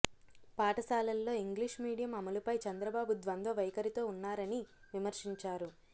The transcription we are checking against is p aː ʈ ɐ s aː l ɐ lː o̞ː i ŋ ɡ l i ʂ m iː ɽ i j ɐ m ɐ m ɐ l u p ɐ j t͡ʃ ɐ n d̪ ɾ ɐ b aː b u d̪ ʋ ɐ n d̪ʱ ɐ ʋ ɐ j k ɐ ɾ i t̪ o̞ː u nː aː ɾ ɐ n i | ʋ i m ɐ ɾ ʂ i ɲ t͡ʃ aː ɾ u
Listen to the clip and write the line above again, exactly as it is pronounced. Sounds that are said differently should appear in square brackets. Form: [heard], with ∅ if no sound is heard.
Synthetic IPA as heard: p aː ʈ ɐ s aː l ɐ lː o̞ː i ŋ ɡ l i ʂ m iː ɽ i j ɐ m ɐ m ɐ l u p ɐ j t͡ʃ ɐ n d̪ ɾ ɐ b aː b u d̪ ʋ ɐ n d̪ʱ ɐ ʋ ɐ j k ɐ ɾ i t̪ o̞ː u nː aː ɾ ɐ n i | ʋ i m ɐ ɾ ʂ i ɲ t͡ʃ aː ɾ u